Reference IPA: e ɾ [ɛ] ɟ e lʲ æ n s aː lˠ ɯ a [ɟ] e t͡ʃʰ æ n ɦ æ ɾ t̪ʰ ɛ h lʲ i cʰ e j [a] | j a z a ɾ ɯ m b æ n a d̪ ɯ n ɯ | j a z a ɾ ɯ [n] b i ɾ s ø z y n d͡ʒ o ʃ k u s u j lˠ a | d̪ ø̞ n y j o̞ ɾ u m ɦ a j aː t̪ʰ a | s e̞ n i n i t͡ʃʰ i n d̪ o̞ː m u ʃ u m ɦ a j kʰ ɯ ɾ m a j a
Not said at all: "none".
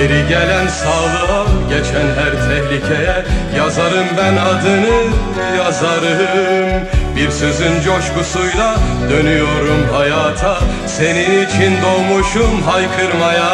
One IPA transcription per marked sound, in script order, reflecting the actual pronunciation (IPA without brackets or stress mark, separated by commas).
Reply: i, ɟ, ɛ, m